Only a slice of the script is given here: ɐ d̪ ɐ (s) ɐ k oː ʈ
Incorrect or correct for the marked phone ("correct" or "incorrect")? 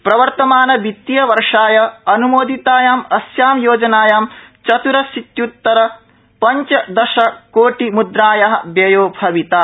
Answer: incorrect